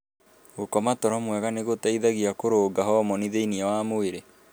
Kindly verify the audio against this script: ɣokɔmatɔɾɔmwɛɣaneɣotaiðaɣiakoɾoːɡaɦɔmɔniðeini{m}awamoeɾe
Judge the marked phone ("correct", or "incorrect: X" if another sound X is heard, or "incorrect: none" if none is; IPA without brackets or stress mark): incorrect: none